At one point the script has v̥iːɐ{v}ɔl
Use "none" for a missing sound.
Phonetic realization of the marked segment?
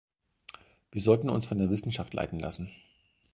z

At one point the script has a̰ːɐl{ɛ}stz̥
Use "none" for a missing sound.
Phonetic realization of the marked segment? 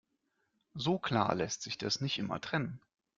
ɛ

